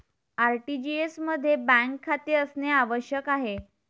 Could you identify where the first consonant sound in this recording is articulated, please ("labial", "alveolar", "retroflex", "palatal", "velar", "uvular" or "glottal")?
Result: alveolar